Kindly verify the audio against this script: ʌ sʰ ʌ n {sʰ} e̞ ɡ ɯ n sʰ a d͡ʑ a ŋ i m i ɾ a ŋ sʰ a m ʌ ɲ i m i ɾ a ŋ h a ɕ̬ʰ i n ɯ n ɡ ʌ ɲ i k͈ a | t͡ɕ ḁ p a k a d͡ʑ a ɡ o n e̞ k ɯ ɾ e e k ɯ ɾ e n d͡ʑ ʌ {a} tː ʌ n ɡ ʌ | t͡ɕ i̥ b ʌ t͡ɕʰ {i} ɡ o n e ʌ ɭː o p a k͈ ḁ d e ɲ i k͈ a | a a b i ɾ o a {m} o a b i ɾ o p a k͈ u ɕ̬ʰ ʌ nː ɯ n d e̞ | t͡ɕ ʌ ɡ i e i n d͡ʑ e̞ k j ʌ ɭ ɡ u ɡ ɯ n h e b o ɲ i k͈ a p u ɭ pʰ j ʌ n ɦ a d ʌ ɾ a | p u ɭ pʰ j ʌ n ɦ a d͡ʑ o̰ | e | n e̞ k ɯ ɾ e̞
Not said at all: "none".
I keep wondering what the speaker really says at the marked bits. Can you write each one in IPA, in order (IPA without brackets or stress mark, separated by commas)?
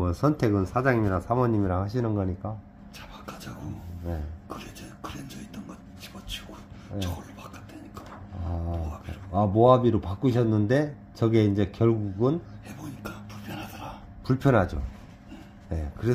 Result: tʰ, i, i, m